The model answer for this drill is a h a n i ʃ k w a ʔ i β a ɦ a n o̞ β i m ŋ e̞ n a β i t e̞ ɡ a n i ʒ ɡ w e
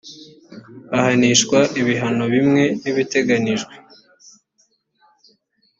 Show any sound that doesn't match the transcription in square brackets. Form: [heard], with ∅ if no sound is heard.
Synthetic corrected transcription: a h a n i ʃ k w a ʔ i β [i] ɦ a n o̞ β i m ŋ e̞ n [i] β i t e̞ ɡ a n i ʒ ɡ w e